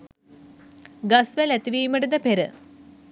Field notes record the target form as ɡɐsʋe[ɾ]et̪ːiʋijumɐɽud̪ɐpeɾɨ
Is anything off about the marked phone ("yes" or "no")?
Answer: yes